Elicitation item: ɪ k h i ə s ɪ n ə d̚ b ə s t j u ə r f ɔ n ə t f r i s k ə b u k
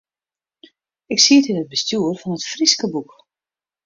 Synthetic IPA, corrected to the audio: ɪ k s i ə t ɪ n ə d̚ b ə s t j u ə r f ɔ n ə t f r i s k ə b u k